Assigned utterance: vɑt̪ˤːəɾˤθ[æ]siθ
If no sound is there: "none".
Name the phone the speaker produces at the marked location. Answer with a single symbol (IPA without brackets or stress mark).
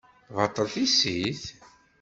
i